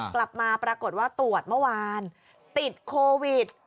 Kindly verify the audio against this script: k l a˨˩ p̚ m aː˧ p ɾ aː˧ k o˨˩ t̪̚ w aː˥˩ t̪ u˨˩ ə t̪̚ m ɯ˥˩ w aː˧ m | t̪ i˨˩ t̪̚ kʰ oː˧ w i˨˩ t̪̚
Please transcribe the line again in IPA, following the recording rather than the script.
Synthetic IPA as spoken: k l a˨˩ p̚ m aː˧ p ɾ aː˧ k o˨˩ t̪̚ w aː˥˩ t̪ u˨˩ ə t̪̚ m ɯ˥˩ w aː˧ n | t̪ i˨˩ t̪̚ kʰ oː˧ w i˨˩ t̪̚